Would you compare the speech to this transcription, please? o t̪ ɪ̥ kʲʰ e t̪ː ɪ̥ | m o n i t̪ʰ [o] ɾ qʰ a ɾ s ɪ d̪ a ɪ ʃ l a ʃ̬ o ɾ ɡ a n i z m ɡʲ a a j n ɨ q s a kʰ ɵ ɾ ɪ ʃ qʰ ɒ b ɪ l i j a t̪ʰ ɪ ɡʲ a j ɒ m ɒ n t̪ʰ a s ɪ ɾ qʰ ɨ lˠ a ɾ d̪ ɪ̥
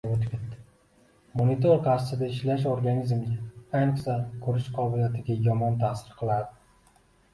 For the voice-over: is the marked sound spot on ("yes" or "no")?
yes